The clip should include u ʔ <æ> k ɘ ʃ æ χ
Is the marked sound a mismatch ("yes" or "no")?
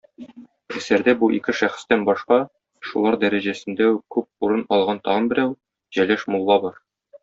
yes